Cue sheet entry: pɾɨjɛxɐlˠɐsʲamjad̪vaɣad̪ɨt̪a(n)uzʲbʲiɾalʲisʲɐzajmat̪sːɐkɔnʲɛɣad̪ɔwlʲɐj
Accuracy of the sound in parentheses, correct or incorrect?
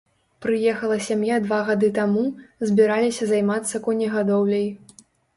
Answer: incorrect